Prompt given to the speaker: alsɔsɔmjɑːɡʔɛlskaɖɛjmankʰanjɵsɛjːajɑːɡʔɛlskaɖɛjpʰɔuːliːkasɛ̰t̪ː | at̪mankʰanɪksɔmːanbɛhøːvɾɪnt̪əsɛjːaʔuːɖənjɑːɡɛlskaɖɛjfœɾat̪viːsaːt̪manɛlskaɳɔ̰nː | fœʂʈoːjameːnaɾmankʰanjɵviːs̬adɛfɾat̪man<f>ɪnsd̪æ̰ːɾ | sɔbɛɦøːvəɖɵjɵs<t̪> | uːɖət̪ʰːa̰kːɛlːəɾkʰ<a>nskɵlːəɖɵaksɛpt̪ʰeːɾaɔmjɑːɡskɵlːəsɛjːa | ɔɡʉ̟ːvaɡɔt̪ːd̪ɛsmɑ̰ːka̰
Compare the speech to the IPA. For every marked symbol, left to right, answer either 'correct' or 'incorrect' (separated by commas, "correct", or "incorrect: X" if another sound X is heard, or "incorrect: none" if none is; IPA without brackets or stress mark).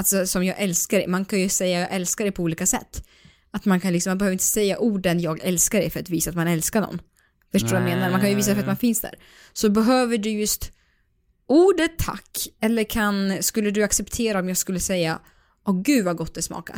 correct, correct, correct